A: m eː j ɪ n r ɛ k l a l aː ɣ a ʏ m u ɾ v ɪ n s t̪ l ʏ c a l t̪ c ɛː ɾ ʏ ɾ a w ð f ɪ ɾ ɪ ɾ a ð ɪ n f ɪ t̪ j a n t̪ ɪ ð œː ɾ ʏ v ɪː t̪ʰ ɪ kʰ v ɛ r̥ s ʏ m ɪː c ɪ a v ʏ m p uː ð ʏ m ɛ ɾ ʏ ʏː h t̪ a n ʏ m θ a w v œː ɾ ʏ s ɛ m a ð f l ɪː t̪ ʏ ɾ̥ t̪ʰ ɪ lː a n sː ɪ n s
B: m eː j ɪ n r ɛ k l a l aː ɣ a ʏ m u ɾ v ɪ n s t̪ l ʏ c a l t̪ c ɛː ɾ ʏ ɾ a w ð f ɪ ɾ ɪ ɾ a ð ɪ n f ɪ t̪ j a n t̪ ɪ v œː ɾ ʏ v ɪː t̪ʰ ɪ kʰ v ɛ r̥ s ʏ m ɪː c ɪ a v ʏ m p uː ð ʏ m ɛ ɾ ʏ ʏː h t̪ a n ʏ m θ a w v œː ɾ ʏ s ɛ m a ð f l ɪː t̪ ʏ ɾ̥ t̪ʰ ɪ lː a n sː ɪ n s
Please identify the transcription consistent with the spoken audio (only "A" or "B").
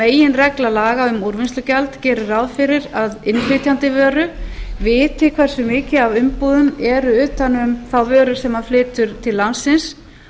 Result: B